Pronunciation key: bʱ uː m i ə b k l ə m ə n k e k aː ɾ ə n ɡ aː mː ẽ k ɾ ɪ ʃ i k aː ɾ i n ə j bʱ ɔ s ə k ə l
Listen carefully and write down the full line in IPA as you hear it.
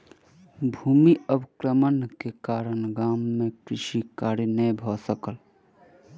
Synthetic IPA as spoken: bʱ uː m i ə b k ɾ ə m ə n k e k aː ɾ ə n ɡ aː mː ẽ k ɾ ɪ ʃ i k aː ɾ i n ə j bʱ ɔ s ə k ə l